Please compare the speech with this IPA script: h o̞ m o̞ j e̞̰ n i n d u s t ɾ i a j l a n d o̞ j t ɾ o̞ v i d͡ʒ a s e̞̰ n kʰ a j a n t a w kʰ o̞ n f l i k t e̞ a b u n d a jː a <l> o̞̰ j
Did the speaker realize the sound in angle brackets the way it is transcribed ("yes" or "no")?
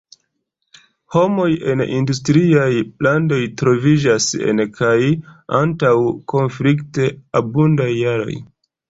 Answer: no